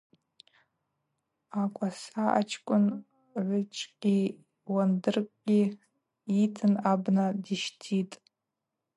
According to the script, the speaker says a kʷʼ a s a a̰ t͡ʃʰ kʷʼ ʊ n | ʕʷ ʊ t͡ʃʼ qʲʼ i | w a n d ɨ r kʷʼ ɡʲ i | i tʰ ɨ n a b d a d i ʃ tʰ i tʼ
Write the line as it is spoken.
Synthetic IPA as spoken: a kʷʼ a s a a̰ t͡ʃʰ kʷʼ ʊ n | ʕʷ ʊ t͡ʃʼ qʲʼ i | w a n d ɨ r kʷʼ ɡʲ i | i tʰ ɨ n a b n a d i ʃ tʰ i tʼ